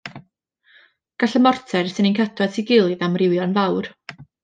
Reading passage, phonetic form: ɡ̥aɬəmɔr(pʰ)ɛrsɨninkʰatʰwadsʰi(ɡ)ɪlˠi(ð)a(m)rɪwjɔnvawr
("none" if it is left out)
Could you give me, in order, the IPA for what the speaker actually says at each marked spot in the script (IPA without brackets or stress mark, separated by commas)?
tʰ, ɡ, ð, m